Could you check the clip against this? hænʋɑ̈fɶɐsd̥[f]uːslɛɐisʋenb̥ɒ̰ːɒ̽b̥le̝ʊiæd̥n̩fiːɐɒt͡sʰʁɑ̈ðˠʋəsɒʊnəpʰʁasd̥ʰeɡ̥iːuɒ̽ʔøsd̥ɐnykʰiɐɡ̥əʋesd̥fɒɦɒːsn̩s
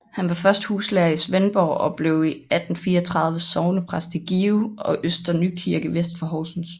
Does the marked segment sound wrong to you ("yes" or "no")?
yes